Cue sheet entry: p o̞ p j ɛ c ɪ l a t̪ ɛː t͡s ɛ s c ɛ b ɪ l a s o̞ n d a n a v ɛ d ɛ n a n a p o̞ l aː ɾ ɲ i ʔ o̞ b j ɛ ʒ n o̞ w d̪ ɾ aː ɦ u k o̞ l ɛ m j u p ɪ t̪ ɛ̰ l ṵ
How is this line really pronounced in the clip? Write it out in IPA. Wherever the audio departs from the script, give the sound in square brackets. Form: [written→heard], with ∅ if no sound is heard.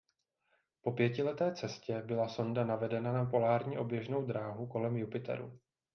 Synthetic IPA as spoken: p o̞ p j ɛ c ɪ l [a→ɛ] t̪ ɛː t͡s ɛ s c ɛ b ɪ l a s o̞ n d a n a v ɛ d ɛ n a n a p o̞ l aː ɾ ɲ i ʔ o̞ b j ɛ ʒ n o̞ w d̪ ɾ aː ɦ u k o̞ l ɛ m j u p ɪ t̪ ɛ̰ [l→ɾ] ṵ